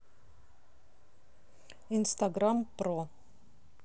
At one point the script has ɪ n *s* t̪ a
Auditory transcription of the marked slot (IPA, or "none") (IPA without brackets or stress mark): s